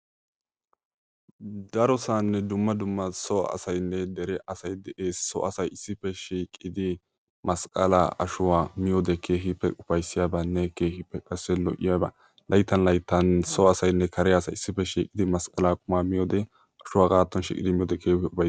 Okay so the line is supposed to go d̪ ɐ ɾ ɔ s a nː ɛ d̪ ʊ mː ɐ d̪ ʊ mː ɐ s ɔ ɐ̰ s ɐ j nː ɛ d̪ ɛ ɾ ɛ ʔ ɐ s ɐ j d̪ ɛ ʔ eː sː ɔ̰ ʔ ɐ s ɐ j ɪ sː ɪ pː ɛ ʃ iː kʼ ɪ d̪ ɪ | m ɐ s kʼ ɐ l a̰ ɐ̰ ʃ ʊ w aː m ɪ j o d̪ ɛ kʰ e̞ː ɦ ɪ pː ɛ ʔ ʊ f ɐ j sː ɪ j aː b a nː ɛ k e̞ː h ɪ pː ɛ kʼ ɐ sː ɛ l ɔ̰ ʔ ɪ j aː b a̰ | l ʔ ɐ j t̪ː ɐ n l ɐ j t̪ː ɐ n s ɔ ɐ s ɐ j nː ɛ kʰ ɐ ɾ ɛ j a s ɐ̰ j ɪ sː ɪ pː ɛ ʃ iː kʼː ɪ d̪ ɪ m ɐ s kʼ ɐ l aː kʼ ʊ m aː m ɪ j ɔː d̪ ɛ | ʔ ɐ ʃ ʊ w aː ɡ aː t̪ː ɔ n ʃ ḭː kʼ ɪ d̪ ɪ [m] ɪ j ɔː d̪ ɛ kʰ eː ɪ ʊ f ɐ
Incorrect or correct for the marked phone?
correct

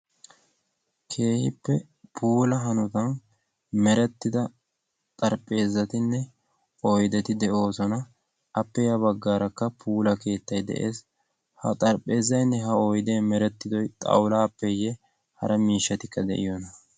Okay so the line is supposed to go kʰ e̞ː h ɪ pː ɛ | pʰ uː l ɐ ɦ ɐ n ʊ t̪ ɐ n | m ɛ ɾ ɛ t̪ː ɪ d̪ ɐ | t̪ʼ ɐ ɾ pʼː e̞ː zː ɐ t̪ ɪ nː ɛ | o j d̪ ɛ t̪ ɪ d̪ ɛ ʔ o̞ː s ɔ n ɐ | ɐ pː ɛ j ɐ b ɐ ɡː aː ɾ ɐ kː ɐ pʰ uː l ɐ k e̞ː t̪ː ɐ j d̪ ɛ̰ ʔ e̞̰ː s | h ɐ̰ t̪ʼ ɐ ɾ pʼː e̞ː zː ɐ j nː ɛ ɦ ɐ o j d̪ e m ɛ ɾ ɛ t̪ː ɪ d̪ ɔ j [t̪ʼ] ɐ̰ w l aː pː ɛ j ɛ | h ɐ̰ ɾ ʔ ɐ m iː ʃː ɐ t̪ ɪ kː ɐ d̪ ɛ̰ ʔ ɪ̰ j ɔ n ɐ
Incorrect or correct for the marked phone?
correct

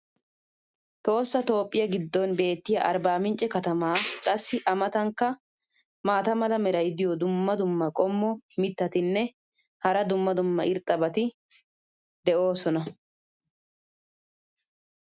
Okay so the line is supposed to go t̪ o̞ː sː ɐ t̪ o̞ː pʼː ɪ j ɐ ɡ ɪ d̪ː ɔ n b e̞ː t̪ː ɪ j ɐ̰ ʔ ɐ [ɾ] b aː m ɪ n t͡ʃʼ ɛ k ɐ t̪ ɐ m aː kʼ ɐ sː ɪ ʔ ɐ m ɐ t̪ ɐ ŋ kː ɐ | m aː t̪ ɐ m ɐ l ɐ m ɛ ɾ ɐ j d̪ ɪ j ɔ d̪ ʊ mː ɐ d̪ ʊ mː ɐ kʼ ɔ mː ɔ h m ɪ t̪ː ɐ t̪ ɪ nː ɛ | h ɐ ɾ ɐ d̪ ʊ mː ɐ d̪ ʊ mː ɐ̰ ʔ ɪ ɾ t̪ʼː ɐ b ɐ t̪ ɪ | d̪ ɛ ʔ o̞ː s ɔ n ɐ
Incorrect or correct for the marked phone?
correct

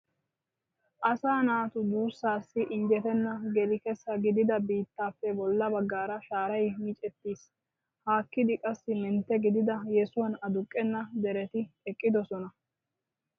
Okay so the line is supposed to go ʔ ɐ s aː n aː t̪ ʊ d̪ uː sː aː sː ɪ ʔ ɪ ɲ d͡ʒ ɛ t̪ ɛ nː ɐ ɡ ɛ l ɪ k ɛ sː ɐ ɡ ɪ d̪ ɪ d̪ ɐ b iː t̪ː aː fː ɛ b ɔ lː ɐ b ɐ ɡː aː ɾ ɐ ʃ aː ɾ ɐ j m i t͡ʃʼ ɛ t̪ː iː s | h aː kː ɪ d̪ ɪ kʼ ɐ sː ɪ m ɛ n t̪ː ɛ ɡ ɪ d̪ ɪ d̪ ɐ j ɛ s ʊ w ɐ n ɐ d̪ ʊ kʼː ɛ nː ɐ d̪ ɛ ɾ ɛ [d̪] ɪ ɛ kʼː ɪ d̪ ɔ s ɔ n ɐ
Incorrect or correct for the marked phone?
incorrect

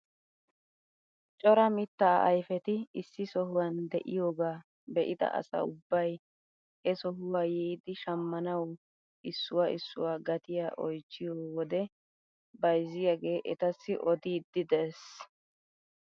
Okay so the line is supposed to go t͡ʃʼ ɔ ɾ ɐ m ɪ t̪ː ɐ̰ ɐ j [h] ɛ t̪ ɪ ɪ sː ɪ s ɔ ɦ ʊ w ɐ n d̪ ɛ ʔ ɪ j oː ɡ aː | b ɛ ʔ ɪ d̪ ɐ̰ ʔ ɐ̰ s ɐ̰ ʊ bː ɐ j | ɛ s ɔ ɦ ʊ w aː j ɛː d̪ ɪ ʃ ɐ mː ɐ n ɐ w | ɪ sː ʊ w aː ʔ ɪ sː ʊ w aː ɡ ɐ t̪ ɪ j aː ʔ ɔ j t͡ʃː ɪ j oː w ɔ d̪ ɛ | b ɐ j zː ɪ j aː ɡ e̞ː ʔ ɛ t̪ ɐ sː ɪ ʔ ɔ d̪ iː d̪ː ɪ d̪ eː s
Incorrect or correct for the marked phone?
incorrect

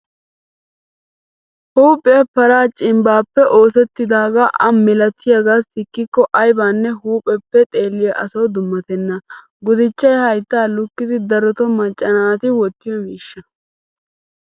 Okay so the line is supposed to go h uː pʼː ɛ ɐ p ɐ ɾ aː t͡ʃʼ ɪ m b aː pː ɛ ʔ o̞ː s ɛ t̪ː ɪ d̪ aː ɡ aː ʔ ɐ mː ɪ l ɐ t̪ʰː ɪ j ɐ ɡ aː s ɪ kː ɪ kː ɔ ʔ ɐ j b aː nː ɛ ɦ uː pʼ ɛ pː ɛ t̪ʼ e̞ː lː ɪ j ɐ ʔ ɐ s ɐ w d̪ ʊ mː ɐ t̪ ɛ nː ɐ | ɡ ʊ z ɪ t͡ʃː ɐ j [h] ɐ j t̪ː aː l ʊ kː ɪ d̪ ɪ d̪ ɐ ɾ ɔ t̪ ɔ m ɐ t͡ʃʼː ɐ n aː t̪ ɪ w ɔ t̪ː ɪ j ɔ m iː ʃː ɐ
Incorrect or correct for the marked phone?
correct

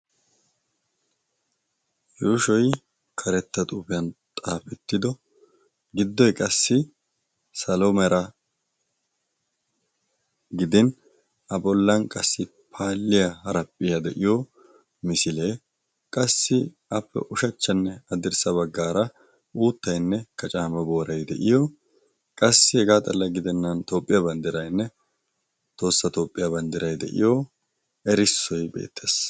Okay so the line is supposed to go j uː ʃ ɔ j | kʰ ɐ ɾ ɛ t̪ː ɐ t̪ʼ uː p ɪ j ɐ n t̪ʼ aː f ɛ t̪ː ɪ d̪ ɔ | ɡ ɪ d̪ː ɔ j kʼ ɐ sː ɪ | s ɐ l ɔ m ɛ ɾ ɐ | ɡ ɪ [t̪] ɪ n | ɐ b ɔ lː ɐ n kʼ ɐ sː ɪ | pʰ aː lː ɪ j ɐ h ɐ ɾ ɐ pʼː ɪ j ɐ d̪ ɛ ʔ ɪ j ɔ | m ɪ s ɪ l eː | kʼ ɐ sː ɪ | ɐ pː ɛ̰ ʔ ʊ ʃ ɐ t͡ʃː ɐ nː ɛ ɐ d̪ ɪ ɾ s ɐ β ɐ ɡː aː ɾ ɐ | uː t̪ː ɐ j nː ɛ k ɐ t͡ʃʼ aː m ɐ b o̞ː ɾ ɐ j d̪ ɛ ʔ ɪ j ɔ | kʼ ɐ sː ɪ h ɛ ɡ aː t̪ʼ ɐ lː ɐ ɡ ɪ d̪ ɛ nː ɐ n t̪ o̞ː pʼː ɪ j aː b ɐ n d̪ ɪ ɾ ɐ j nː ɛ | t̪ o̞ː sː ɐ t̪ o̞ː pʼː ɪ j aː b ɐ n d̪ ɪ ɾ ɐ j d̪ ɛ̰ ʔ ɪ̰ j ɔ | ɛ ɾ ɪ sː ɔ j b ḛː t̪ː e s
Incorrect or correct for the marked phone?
incorrect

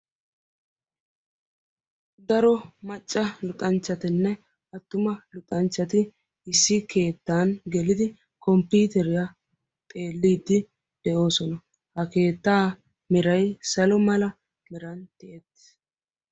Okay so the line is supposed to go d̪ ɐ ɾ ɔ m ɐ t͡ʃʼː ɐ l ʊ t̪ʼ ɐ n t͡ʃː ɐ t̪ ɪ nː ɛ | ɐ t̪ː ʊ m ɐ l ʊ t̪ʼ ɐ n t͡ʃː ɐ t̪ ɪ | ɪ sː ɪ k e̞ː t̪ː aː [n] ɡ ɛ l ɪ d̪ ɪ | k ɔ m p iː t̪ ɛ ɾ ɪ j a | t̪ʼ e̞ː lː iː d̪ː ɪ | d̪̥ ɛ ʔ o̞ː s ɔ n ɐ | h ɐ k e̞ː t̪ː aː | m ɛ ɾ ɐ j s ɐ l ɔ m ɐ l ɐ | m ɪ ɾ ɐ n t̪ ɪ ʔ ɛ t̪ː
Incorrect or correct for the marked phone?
correct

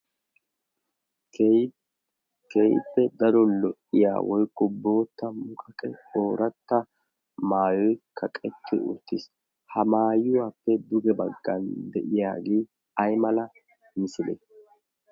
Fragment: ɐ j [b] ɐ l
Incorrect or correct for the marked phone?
incorrect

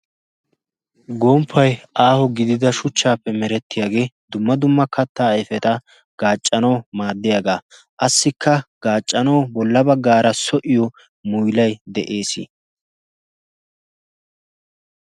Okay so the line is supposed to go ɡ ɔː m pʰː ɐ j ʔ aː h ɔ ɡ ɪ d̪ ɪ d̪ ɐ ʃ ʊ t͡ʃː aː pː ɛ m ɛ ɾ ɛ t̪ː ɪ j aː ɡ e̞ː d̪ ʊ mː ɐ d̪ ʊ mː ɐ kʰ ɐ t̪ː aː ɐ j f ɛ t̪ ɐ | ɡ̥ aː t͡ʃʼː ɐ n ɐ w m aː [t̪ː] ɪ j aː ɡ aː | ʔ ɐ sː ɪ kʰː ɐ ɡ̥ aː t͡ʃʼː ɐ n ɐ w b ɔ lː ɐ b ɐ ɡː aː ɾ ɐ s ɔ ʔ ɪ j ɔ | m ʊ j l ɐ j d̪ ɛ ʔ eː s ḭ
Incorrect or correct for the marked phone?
incorrect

